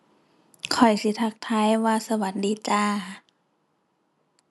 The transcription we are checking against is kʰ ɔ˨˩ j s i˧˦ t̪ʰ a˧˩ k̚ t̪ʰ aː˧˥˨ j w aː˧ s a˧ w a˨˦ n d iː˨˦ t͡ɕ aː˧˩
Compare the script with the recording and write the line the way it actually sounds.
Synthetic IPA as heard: kʰ ɔ˨˩ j s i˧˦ t̪ʰ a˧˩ k̚ t̪ʰ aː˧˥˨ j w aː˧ s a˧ w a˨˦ n d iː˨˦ t͡ɕ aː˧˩